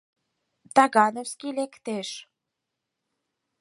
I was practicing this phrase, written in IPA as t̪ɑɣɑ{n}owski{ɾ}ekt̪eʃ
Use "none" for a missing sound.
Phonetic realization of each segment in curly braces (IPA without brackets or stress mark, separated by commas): n, l